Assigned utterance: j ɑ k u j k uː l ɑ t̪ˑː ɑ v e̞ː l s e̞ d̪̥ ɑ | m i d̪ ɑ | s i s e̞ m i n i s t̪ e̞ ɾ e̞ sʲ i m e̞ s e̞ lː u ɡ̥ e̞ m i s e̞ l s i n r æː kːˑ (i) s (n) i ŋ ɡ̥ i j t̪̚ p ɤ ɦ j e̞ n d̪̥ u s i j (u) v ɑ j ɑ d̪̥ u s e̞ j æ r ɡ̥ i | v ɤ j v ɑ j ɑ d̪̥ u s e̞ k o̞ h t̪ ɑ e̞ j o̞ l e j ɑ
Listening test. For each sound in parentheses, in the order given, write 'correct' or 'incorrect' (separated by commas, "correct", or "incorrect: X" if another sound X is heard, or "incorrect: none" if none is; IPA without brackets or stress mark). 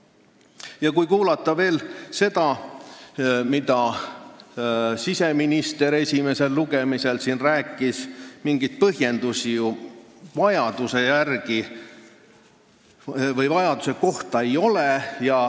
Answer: correct, incorrect: m, correct